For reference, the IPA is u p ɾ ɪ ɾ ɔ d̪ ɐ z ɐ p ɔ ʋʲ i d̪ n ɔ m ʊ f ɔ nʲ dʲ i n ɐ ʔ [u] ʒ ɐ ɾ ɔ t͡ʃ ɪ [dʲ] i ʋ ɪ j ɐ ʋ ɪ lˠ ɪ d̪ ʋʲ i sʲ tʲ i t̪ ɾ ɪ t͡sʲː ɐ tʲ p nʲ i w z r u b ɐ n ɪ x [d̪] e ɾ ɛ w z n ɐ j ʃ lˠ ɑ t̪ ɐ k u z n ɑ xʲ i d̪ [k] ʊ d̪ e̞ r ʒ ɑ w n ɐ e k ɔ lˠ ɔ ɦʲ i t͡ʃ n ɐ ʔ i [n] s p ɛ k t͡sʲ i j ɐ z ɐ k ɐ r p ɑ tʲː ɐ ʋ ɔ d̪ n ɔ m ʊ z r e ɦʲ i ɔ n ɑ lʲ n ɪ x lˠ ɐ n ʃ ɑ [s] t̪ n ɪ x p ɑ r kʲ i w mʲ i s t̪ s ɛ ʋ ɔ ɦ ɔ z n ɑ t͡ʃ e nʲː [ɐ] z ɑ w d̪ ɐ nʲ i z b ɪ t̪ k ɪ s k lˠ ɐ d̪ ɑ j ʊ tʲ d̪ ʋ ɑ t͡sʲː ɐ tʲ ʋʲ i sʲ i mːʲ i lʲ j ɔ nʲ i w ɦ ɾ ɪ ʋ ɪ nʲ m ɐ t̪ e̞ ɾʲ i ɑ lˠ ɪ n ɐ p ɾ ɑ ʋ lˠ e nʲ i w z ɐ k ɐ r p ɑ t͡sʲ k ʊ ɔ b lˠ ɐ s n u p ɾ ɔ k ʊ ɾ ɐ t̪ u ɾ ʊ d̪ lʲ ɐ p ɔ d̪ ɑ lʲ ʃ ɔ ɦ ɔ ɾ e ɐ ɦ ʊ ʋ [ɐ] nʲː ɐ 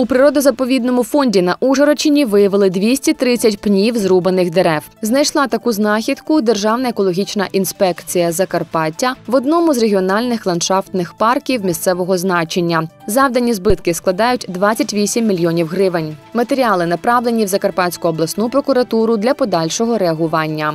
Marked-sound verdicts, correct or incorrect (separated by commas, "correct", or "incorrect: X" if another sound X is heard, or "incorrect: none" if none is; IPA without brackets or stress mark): correct, incorrect: nʲ, correct, correct, correct, incorrect: f, correct, incorrect: ɑ